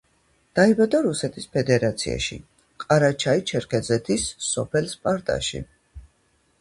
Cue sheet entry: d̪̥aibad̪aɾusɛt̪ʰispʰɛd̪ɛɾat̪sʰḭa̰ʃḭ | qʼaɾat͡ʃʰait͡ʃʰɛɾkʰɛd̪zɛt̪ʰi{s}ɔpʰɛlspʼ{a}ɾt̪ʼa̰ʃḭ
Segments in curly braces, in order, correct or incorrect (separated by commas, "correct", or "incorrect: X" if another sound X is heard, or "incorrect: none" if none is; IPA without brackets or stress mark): incorrect: sː, correct